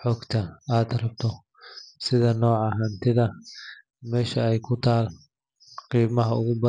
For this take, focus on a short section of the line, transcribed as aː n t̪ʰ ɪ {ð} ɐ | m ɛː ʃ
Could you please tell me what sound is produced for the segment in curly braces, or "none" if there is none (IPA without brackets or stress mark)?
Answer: ð